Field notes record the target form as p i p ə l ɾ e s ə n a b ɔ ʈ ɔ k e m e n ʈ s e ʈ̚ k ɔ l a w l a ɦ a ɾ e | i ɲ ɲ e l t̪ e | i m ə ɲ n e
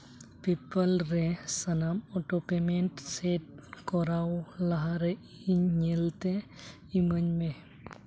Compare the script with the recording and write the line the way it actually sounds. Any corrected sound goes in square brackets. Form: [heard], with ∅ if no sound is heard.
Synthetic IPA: p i p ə l ɾ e s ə n a [m] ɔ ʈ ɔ [p] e m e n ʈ s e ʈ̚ k ɔ [ɾ] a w l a ɦ a ɾ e | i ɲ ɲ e l t̪ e | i m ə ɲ [m] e